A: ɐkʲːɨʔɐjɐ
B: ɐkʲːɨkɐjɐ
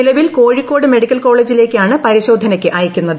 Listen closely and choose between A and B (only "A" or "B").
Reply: A